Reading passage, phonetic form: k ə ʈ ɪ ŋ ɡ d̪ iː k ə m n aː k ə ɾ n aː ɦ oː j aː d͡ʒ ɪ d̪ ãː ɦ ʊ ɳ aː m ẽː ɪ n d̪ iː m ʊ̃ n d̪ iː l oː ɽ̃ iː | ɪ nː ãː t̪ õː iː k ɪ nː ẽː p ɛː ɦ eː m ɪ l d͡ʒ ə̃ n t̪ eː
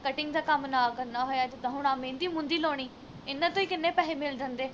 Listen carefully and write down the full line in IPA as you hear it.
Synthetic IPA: k ə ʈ ɪ ŋ ɡ d̪ aː k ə m n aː k ə ɾ n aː ɦ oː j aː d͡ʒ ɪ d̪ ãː ɦ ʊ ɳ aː m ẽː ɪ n d̪ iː m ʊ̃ n d̪ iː l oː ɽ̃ iː | ɪ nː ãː t̪ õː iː k ɪ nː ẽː p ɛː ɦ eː m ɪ l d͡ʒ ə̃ n d̪ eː